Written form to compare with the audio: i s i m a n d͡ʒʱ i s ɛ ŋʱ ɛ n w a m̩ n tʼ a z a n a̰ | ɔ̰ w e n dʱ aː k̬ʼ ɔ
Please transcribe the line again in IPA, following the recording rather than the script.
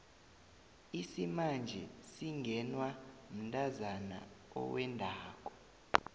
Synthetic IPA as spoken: i s i m a n d͡ʒʱ ɛ s i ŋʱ ɛ n w a m̩ n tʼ a z a n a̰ | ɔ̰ w ɛ n dʱ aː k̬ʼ ɔ